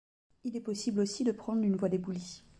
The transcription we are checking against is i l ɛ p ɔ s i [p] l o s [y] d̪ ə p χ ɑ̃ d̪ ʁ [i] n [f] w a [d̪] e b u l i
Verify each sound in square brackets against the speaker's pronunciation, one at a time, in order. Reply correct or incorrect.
incorrect, incorrect, incorrect, incorrect, correct

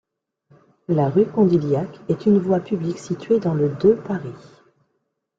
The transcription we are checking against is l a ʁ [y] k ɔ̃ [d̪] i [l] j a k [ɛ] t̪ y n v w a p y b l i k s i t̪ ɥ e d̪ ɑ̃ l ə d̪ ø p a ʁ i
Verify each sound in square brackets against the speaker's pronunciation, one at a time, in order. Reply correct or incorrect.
correct, correct, correct, correct

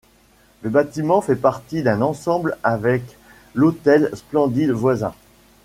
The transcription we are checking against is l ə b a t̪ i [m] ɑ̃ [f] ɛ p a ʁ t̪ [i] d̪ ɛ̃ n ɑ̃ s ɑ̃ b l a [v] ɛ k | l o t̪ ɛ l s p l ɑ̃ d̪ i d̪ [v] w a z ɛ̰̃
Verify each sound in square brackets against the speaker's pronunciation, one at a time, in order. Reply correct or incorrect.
correct, correct, correct, correct, correct

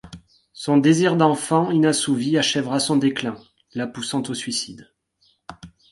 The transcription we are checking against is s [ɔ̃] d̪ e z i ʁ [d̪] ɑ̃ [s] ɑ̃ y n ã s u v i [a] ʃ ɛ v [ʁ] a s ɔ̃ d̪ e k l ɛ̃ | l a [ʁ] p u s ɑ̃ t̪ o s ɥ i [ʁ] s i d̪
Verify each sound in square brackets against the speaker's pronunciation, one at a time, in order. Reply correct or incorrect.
correct, correct, incorrect, correct, correct, incorrect, incorrect

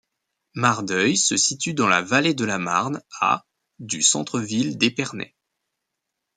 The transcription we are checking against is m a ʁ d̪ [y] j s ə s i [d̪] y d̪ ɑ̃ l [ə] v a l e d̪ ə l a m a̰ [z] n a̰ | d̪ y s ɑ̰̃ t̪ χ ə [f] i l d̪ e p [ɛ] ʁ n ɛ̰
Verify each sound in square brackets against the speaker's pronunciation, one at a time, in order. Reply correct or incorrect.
incorrect, incorrect, incorrect, incorrect, incorrect, correct

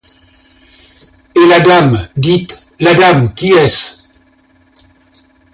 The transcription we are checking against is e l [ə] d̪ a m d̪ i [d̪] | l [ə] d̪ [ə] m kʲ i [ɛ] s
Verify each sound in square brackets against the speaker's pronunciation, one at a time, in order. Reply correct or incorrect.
incorrect, incorrect, incorrect, incorrect, correct

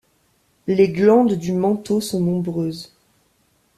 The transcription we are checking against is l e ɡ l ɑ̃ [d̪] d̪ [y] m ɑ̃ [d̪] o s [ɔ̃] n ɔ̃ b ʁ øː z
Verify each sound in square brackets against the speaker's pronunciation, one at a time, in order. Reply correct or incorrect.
correct, correct, incorrect, correct

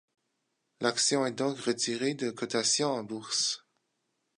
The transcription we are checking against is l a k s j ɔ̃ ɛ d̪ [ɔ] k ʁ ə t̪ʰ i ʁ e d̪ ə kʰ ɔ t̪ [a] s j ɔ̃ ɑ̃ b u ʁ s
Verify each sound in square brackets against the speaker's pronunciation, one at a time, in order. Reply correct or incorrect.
incorrect, correct

